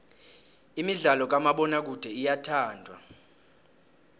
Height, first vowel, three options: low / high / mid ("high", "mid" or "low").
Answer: high